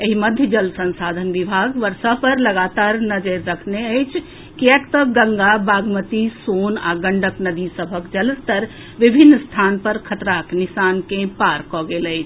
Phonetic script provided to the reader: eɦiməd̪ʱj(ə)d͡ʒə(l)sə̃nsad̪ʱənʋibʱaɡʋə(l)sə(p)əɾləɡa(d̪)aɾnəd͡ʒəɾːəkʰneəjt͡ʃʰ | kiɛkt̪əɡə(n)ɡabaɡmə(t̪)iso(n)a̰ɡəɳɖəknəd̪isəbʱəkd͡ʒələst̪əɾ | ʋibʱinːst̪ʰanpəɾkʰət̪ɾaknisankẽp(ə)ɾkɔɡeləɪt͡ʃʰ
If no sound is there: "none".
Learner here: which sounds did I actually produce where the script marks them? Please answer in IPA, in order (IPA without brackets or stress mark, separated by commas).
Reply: ə, l, ɾ, p, t̪, ŋ, t̪, n, a